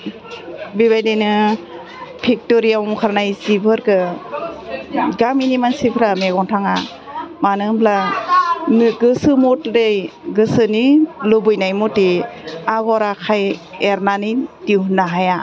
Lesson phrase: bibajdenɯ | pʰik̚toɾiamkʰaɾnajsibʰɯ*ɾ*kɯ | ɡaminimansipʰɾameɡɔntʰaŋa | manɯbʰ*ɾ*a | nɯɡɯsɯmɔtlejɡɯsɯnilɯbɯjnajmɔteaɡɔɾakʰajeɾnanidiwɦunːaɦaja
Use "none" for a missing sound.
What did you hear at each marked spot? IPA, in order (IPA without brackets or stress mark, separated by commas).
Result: ɾ, l